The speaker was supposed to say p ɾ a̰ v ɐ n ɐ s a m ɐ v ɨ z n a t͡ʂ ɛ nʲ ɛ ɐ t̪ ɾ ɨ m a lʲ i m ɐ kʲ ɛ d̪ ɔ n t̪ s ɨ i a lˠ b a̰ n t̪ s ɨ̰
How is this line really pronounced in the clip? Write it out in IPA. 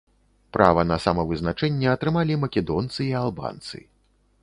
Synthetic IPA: p ɾ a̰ v ɐ n ɐ s a m ɐ v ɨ z n a t͡ʂ ɛ nʲː ɛ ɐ t̪ ɾ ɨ m a lʲ i m ɐ kʲ ɛ d̪ ɔ n t̪ s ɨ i a lˠ b a̰ n t̪ s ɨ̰